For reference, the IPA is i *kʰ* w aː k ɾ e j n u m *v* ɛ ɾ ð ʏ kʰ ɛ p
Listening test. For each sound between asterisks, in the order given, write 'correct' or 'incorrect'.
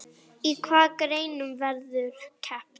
correct, correct

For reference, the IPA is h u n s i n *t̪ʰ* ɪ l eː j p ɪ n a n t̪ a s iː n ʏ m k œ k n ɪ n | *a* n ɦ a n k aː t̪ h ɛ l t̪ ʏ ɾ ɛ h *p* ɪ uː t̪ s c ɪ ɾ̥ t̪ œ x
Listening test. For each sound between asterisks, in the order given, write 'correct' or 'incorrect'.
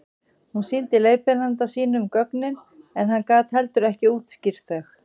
incorrect, incorrect, incorrect

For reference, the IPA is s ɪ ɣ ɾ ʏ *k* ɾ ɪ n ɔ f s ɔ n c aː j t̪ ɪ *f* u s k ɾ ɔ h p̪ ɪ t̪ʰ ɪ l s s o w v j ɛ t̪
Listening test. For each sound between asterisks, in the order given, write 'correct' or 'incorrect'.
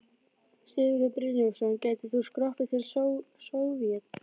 incorrect, incorrect

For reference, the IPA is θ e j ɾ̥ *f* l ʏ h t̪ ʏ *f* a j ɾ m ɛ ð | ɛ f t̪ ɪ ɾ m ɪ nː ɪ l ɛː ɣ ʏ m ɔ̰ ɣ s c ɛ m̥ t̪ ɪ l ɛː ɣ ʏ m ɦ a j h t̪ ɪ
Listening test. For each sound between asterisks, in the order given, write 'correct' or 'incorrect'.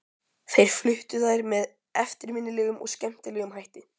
correct, incorrect

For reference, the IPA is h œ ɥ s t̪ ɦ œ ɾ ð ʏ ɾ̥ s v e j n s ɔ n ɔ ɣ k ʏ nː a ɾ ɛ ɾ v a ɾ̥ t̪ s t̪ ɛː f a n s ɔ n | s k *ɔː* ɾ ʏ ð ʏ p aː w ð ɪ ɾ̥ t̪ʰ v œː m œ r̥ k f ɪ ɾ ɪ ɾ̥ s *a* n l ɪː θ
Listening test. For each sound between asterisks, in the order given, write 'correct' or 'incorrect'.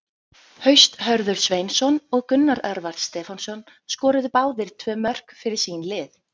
correct, incorrect

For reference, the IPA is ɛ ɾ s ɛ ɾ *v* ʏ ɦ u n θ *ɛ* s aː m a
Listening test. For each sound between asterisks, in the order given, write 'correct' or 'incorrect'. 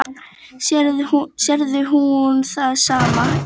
incorrect, incorrect

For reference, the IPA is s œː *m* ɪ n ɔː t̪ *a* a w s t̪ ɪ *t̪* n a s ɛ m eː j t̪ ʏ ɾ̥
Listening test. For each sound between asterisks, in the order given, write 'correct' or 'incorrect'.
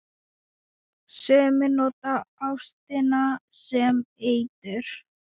correct, correct, incorrect

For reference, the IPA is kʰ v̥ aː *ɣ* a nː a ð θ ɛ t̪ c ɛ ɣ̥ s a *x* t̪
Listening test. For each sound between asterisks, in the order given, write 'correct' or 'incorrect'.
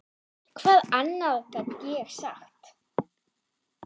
incorrect, correct

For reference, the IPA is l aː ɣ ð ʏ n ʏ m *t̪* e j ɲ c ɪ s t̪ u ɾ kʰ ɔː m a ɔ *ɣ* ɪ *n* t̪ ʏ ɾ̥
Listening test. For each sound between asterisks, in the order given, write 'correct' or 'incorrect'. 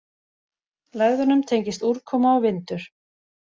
incorrect, incorrect, correct

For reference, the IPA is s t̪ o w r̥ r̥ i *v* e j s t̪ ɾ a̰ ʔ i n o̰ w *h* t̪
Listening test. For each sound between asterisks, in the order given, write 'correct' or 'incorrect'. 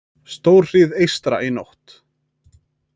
incorrect, correct

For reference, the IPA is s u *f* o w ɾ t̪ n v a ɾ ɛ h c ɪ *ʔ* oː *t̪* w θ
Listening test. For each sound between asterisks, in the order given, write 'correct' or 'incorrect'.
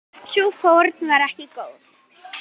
correct, incorrect, incorrect

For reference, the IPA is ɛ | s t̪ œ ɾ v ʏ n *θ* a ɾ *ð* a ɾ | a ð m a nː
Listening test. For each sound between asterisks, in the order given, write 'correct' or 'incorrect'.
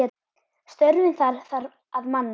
correct, incorrect

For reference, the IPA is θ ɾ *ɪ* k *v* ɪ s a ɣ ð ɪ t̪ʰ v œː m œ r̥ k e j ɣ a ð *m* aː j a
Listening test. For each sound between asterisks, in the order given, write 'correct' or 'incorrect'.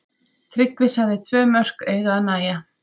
correct, correct, incorrect

